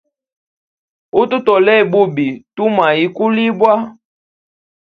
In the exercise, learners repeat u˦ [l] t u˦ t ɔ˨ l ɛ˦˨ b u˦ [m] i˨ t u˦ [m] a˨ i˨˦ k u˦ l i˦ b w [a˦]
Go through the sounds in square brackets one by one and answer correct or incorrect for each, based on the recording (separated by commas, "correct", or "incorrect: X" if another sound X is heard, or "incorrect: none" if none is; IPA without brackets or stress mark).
incorrect: none, incorrect: b, correct, correct